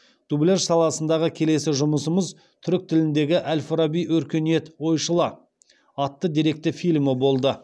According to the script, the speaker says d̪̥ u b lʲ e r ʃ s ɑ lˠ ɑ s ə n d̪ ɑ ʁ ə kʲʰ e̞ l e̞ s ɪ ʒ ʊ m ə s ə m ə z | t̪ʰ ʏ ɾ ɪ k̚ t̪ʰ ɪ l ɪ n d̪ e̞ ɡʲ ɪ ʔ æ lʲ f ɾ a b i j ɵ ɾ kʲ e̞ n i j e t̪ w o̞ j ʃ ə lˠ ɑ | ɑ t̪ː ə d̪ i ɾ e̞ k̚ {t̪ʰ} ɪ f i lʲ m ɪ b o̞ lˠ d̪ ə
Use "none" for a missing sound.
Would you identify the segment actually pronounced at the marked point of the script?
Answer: t̪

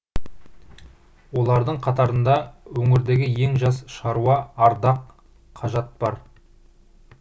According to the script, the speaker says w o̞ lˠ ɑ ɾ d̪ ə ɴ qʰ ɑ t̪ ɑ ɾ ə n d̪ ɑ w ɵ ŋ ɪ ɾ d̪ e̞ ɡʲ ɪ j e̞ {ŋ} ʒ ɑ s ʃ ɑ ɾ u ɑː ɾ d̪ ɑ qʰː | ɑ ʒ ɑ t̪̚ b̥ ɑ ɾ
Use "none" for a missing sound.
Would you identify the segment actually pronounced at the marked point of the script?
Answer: ŋ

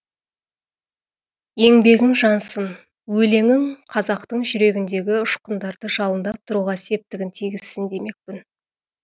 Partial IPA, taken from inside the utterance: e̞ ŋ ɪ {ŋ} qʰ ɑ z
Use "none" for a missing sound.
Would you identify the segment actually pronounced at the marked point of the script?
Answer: ŋ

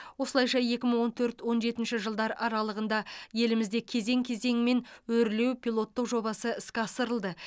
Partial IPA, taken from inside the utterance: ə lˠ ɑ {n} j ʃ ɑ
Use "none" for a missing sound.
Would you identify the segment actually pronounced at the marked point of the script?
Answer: none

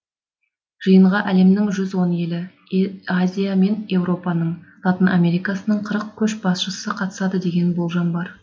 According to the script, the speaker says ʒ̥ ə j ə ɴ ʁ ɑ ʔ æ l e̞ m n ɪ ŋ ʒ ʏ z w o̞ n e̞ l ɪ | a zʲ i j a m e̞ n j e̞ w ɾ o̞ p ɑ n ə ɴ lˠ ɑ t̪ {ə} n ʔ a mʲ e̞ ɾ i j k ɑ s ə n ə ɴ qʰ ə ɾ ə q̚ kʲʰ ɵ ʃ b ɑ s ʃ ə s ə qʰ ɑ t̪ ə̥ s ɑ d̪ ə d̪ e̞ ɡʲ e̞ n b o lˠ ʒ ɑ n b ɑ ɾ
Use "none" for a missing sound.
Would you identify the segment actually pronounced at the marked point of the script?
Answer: ə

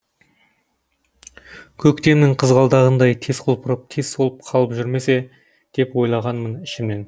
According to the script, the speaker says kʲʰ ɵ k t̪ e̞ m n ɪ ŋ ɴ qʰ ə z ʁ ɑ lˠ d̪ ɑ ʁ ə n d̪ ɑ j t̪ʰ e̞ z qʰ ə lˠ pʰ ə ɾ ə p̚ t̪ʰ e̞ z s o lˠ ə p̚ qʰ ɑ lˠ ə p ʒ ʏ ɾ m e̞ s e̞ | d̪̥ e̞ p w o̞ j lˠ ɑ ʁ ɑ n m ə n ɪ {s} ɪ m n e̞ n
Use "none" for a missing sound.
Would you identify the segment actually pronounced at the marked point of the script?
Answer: ʃ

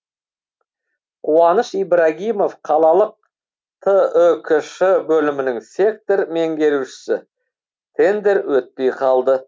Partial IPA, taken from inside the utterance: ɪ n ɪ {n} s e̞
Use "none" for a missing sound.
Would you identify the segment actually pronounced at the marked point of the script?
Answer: ŋ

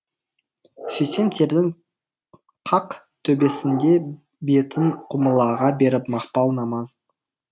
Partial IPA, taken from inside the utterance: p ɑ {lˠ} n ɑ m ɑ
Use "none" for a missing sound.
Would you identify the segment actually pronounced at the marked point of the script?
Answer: lˠ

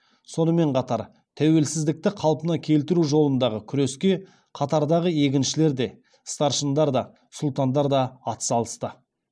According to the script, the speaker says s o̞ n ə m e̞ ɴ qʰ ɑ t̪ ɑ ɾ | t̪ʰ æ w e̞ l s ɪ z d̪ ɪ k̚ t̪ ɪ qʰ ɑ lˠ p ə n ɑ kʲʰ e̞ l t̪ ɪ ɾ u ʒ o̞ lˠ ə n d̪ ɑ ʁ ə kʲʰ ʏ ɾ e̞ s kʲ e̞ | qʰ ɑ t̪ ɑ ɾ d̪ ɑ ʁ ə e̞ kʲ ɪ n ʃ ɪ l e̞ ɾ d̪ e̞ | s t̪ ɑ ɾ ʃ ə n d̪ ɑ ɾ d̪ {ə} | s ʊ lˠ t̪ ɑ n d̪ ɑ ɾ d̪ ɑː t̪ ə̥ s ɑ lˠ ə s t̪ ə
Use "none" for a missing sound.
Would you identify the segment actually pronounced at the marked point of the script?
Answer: ɑ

